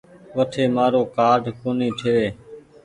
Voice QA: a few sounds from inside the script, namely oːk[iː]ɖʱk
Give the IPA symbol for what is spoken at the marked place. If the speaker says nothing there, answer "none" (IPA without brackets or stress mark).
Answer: aː